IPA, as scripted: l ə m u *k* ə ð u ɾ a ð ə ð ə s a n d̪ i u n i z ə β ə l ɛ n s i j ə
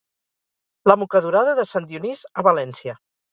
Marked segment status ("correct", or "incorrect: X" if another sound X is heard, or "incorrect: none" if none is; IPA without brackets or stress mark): correct